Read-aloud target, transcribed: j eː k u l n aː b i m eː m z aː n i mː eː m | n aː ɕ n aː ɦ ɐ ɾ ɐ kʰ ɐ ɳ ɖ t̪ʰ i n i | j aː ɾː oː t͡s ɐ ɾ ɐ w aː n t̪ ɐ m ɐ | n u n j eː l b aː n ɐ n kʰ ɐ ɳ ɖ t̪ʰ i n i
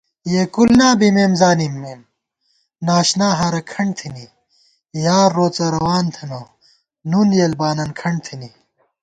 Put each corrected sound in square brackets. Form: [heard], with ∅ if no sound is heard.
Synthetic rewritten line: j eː k u l n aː b i m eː m z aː n i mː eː m | n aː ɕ n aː ɦ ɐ ɾ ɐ kʰ ɐ ɳ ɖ t̪ʰ i n i | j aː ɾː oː t͡s ɐ ɾ ɐ w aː n [t̪ʰ] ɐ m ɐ | n u n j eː l b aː n ɐ n kʰ ɐ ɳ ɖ t̪ʰ i n i